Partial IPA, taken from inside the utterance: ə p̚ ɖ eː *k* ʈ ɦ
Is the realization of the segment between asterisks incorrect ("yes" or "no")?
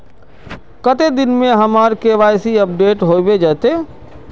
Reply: yes